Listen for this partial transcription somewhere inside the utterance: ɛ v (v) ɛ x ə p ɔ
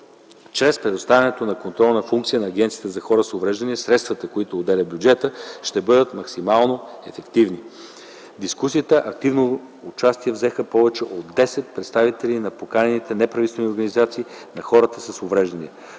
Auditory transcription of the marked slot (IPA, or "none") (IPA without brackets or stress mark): z